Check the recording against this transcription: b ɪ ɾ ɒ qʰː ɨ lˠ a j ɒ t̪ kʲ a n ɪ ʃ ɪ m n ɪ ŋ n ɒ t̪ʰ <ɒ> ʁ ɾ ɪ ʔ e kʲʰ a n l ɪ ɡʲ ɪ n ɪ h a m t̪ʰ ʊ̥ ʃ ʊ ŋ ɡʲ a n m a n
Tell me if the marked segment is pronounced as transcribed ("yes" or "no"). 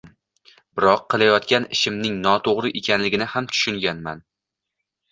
no